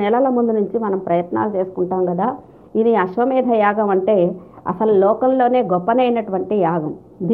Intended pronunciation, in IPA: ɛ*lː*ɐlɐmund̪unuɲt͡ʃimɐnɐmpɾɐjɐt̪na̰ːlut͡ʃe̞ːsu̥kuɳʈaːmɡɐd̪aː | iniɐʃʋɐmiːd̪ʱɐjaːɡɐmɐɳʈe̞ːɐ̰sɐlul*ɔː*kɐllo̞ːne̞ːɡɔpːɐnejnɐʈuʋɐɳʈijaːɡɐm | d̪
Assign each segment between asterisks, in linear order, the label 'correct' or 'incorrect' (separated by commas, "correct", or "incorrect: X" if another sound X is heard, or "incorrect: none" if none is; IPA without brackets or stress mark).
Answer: incorrect: l, correct